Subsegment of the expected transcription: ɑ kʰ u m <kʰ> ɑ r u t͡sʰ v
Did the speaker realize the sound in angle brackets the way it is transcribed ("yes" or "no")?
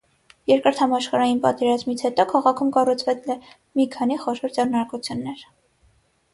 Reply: no